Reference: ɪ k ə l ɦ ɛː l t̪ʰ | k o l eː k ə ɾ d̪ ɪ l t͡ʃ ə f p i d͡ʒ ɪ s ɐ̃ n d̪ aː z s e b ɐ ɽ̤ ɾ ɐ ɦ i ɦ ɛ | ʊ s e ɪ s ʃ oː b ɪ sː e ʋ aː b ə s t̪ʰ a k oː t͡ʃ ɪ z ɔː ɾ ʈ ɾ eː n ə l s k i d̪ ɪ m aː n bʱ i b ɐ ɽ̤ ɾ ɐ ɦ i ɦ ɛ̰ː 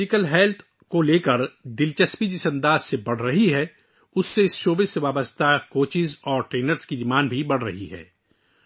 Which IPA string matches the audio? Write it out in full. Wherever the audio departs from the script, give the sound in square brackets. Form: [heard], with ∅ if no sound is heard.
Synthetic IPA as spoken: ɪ k ə l ɦ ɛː l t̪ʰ | k o l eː k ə ɾ d̪ ɪ l t͡ʃ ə [s] p i d͡ʒ ɪ s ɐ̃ n d̪ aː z s e b ɐ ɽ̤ ɾ ɐ ɦ i ɦ ɛ | ʊ [sː] e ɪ s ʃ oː b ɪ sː e ʋ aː b ə s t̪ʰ a k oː t͡ʃ ɪ z ɔː ɾ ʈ ɾ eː n ə [ɾ] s k i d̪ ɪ m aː n bʱ i b ɐ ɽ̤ ɾ ɐ ɦ i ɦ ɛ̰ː